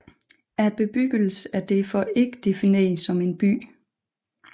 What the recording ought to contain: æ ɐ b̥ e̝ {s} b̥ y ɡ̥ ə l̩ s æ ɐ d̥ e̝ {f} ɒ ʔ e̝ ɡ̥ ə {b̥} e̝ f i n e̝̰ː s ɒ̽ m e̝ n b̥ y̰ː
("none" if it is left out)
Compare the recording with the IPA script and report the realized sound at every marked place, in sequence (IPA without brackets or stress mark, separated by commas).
none, f, d̥